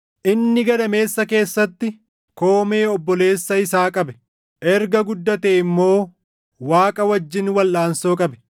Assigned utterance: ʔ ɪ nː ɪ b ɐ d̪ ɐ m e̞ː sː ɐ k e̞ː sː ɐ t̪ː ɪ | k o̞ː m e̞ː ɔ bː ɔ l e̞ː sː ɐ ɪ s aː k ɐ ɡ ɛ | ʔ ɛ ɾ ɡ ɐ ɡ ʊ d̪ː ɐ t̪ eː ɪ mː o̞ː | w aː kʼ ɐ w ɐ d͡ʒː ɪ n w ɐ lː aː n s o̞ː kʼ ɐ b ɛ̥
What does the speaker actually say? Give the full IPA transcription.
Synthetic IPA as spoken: ʔ ɪ nː ɪ ɡ ɐ d̪ ɐ m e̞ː sː ɐ k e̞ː sː ɐ t̪ː ɪ | k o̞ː m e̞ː ɔ bː ɔ l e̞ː sː ɐ ɪ s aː kʼ ɐ b ɛ | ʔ ɛ ɾ ɡ ɐ ɡ ʊ d̪ː ɐ t̪ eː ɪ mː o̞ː | w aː kʼ ɐ w ɐ d͡ʒː ɪ n w ɐ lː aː n s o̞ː kʼ ɐ b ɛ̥